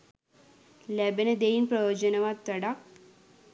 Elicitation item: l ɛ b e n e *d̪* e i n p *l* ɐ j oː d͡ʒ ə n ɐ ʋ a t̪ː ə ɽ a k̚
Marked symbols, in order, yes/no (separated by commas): yes, no